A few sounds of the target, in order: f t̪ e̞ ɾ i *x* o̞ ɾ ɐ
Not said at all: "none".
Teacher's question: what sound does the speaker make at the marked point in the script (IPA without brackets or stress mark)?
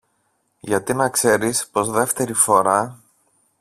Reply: f